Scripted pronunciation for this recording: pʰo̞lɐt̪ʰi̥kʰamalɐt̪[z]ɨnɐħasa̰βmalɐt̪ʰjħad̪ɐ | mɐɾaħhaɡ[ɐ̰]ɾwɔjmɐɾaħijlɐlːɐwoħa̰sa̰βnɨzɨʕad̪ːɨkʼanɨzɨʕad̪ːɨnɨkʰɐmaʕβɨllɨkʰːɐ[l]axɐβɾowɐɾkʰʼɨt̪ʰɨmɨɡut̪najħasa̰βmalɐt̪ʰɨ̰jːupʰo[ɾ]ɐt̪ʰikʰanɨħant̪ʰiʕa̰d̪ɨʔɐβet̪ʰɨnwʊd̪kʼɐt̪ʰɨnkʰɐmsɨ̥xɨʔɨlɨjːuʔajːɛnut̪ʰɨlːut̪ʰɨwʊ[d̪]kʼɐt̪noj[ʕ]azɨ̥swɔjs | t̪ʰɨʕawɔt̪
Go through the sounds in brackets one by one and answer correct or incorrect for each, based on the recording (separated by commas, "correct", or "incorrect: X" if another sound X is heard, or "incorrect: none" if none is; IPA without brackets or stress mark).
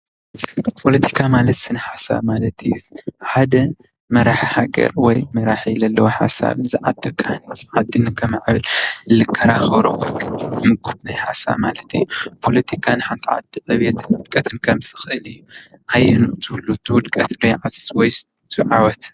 incorrect: s, correct, incorrect: ɾ, incorrect: l, correct, correct